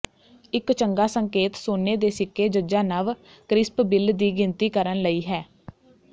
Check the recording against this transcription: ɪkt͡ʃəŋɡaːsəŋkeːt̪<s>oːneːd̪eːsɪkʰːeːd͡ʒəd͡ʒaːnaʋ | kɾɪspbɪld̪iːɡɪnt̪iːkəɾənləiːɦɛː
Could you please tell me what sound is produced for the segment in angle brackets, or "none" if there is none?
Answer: s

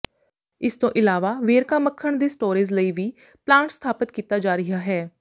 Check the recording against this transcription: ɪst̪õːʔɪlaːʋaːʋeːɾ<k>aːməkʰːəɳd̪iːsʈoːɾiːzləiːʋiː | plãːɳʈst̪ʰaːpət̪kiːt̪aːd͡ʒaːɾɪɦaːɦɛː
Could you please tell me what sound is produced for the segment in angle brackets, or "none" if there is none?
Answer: k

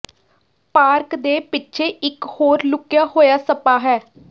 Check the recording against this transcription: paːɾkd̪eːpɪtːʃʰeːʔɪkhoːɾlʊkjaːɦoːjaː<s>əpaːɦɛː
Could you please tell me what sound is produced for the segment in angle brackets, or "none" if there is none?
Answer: s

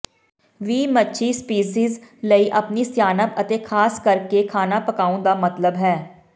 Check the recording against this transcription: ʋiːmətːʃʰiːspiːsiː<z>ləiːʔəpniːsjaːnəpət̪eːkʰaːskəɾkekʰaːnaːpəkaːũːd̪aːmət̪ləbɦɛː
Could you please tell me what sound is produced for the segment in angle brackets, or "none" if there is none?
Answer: z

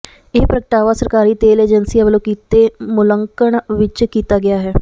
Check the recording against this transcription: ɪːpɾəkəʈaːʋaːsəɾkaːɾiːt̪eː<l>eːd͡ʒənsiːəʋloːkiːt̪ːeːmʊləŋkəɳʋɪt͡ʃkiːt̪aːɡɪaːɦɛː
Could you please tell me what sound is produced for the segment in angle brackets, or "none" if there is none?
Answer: l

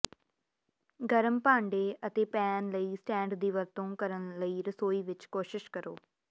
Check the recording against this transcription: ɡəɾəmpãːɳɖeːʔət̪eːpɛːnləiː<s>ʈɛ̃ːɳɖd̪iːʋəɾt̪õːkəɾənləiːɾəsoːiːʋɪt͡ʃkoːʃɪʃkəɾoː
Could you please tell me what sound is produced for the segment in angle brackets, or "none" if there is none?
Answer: s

